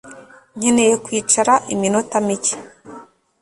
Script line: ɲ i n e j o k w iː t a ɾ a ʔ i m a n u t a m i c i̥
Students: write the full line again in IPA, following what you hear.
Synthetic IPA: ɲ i n e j o k w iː t͡ʃ a ɾ a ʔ i m i n o t a m i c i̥

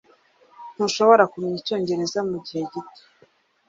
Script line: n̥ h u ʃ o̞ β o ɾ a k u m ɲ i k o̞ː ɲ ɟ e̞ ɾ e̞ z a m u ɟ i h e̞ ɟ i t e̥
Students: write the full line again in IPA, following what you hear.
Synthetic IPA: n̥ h u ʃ o̞ β o ɾ a k u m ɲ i c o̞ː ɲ ɟ e̞ ɾ e̞ z a m u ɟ i h e̞ ɟ i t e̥

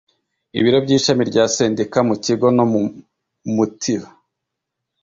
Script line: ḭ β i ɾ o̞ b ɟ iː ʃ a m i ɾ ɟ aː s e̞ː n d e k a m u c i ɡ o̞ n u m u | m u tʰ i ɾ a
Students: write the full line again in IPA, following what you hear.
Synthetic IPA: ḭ β i ɾ o̞ b ɟ iː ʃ a m i ɾ ɟ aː s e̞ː n d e k a m u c i ɡ o̞ n o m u | m u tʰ i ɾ a

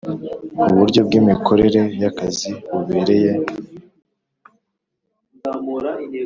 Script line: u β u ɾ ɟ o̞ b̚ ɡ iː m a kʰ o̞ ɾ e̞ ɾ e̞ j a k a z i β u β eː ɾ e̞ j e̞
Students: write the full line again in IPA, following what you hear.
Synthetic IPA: u β u ɾ ɟ o̞ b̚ ɡ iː m i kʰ o̞ ɾ e̞ ɾ e̞ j a k a z i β u β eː ɾ e̞ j e̞

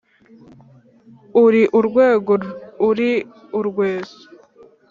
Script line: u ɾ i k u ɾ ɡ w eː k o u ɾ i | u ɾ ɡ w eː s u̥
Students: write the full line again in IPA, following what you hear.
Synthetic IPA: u ɾ i ʔ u ɾ ɡ w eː ɡ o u ɾ i | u ɾ ɡ w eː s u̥

